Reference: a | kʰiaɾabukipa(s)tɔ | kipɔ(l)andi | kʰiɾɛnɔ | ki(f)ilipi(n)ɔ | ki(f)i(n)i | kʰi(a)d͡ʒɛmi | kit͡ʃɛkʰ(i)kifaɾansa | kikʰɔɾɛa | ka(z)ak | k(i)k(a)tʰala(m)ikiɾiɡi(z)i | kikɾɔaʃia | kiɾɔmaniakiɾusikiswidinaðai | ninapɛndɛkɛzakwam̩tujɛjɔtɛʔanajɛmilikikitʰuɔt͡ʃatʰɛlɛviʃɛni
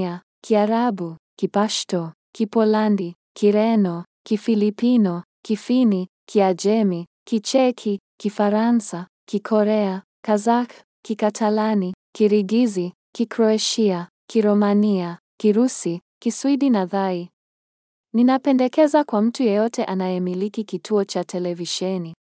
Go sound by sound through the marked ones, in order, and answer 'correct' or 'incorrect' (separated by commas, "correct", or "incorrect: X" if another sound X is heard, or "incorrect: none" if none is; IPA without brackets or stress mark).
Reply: incorrect: ʃ, correct, correct, correct, correct, correct, correct, correct, correct, correct, correct, incorrect: n, correct